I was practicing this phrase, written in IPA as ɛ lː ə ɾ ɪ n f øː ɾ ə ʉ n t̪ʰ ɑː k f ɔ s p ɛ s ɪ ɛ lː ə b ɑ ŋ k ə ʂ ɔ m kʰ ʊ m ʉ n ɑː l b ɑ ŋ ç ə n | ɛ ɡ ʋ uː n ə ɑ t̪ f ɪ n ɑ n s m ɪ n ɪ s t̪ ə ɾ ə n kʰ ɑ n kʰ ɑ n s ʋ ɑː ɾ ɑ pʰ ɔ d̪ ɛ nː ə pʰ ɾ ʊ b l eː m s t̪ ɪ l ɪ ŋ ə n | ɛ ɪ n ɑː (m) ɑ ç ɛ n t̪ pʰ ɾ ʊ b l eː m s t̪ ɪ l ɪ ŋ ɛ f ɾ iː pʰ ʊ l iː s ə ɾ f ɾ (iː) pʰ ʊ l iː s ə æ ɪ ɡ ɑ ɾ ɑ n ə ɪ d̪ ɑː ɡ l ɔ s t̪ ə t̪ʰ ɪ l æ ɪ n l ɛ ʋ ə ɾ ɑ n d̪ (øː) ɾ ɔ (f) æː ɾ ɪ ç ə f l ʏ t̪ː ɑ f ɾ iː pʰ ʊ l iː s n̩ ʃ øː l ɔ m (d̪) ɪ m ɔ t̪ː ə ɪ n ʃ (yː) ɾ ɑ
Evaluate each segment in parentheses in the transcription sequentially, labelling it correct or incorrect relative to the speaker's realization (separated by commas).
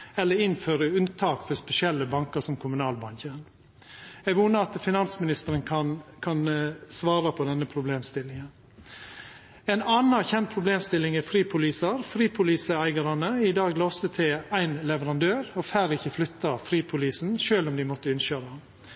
incorrect, correct, correct, correct, correct, incorrect